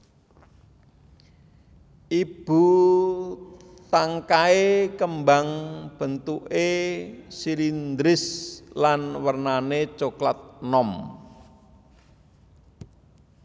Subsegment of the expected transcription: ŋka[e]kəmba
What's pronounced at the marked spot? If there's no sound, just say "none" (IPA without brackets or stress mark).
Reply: e